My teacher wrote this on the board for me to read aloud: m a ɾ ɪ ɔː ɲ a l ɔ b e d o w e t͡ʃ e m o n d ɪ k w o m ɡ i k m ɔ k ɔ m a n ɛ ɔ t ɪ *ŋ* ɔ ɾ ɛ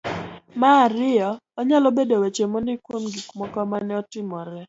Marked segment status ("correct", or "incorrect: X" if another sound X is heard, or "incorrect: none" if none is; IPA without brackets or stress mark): incorrect: m